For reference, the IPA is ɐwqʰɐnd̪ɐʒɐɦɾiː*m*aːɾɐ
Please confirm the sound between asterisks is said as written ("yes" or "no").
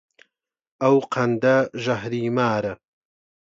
yes